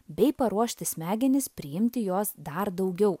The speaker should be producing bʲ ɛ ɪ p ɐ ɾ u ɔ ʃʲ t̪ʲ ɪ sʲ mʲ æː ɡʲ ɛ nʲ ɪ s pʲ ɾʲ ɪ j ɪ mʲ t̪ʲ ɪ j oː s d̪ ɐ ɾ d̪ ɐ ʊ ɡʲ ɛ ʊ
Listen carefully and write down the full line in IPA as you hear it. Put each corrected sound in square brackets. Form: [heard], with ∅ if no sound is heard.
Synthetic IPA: bʲ ɛ ɪ p ɐ ɾ u ɔ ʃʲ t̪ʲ ɪ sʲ mʲ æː ɡʲ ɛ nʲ ɪ s pʲ ɾʲ ɪ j ɪ mʲ t̪ʲ ɪ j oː s d̪ ɐ ɾ d̪ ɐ ʊ ɡʲ ɛ ʊ

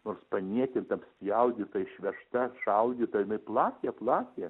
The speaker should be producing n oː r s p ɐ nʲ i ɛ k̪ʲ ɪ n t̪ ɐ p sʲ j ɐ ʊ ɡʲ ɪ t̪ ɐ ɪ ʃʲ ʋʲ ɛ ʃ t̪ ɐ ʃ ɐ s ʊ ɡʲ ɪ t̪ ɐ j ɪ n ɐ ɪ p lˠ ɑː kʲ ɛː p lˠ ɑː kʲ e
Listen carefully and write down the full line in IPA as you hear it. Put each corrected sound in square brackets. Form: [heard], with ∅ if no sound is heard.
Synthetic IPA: n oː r s p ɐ nʲ i ɛ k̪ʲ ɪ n t̪ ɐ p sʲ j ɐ ʊ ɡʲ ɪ t̪ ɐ ɪ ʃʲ ʋʲ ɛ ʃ t̪ ɐ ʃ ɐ [∅] ʊ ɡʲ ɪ t̪ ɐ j ɪ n ɐ ɪ p lˠ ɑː kʲ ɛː p lˠ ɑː kʲ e

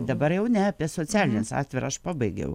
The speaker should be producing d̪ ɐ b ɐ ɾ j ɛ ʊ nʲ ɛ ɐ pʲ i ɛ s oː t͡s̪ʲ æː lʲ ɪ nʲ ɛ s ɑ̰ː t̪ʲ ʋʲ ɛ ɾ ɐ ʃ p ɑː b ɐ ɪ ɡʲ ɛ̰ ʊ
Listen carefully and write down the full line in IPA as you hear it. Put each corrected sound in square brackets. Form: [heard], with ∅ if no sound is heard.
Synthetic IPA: d̪ ɐ b ɐ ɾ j ɛ ʊ nʲ ɛ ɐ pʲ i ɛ s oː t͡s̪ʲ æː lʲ ɪ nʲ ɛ s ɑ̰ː t̪ʲ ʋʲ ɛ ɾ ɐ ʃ p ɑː b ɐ ɪ ɡʲ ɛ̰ ʊ

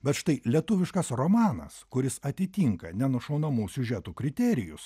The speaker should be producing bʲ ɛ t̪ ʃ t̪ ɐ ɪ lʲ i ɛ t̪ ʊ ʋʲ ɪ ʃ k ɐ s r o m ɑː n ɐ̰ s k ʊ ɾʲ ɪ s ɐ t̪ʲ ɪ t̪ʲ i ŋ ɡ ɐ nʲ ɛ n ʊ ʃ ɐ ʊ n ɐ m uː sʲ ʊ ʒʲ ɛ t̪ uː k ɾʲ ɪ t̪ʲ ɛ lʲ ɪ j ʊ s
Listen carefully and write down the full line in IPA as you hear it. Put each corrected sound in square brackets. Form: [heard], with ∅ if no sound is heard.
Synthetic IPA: bʲ ɛ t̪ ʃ t̪ ɐ ɪ lʲ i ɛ t̪ ʊ ʋʲ ɪ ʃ k ɐ s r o m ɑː n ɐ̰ s k ʊ ɾʲ ɪ s ɐ t̪ʲ ɪ t̪ʲ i ŋ [k] ɐ nʲ ɛ n ʊ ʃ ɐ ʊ n ɐ m uː sʲ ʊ ʒʲ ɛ t̪ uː k ɾʲ ɪ t̪ʲ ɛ [ɾʲ] ɪ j ʊ s

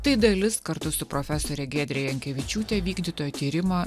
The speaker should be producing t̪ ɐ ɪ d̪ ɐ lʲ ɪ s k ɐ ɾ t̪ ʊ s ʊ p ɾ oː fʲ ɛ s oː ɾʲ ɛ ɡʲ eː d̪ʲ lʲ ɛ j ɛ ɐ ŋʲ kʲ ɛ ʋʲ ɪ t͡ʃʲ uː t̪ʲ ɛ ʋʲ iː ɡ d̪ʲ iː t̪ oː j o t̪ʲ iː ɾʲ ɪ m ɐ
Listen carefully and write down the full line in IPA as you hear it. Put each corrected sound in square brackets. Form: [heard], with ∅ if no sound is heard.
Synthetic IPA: t̪ ɐ ɪ d̪ ɐ lʲ ɪ s k ɐ ɾ t̪ ʊ s ʊ p ɾ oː fʲ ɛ s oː ɾʲ ɛ ɡʲ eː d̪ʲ [ɾʲ] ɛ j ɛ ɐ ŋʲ kʲ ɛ ʋʲ ɪ t͡ʃʲ uː t̪ʲ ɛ ʋʲ iː ɡ d̪ʲ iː t̪ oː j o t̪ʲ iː ɾʲ ɪ m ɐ

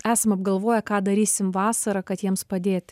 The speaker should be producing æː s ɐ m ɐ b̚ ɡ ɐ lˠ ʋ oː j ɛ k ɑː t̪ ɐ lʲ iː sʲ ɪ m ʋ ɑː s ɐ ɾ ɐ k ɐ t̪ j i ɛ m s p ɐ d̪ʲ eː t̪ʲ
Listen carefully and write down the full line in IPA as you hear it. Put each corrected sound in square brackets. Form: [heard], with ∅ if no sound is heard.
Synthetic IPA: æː s ɐ m ɐ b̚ ɡ ɐ lˠ ʋ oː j ɛ k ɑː [d̪] ɐ [ɾʲ] iː sʲ ɪ m ʋ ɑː s ɐ ɾ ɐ k ɐ t̪ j i ɛ m s p ɐ d̪ʲ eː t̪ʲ

